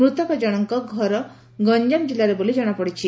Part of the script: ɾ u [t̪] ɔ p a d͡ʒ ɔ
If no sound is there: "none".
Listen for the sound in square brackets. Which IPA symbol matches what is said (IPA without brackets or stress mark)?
t̪